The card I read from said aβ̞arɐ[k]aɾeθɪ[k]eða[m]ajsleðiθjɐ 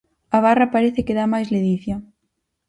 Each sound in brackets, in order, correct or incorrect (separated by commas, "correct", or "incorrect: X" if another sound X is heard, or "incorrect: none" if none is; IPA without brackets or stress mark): incorrect: p, correct, correct